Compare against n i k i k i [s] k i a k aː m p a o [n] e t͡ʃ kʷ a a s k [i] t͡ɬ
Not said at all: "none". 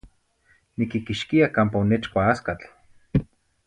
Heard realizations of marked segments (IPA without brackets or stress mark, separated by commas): ʃ, n, a